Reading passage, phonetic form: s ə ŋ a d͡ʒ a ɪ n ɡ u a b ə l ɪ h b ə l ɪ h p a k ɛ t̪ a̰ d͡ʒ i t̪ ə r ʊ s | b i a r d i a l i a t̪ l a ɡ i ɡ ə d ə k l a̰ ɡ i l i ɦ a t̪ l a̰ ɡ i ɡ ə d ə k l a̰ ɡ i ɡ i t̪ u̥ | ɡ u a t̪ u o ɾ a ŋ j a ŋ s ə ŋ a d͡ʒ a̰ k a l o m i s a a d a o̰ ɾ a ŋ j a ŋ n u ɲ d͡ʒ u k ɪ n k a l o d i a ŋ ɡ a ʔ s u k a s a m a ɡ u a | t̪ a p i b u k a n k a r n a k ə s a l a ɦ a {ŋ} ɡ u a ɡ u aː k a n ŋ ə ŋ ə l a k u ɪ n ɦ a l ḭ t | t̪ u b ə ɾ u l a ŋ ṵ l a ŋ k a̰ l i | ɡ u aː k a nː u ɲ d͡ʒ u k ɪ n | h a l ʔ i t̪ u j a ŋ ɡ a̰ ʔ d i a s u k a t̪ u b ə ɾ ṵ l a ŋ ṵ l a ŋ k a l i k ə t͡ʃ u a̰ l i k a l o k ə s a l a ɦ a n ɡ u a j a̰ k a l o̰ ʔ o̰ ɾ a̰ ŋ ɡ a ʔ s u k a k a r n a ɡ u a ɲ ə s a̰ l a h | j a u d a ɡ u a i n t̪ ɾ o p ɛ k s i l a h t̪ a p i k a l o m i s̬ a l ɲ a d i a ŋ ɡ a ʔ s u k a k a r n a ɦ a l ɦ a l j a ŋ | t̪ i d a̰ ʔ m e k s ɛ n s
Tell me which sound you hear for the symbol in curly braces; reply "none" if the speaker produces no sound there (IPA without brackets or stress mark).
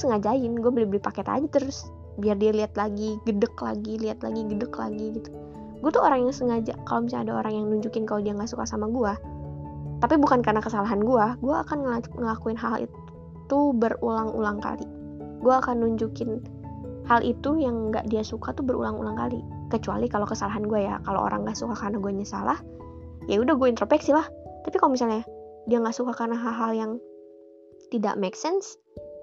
n